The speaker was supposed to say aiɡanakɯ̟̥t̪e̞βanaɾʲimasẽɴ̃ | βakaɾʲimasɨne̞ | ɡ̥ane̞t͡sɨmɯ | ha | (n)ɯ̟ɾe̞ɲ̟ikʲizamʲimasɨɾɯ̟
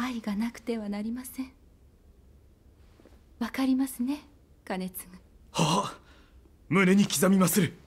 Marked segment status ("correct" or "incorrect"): incorrect